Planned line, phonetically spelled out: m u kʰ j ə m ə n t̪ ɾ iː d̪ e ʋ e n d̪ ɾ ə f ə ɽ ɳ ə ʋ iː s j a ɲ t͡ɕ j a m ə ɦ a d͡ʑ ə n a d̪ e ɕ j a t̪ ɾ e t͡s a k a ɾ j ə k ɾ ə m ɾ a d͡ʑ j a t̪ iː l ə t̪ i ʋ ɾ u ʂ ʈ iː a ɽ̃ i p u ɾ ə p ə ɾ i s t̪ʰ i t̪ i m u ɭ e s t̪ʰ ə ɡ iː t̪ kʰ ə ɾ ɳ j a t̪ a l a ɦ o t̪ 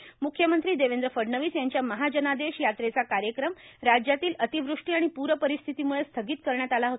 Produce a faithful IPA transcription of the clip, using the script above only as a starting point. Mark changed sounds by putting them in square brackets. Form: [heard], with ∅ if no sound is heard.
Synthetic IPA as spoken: m u kʰ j ə m ə n t̪ ɾ iː d̪ e ʋ e n d̪ ɾ ə f ə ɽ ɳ ə ʋ iː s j a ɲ t͡ɕ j a m ə ɦ a d͡ʑ ə n a d̪ e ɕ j a t̪ ɾ e t͡s a k a ɾ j ə k ɾ ə m ɾ a d͡ʑ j a t̪ iː l ə t̪ i ʋ ɾ u ʂ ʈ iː a ɽ̃ i p u ɾ ə p ə ɾ i s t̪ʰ i t̪ i m u ɭ e s t̪ʰ ə ɡ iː t̪ [k] ə ɾ ɳ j a t̪ a l a ɦ o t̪